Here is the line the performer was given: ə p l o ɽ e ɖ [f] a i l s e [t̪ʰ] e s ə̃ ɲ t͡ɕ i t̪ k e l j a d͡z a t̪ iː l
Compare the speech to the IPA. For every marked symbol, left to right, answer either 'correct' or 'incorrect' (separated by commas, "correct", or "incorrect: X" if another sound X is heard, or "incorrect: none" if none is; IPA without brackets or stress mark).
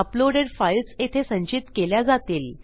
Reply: correct, correct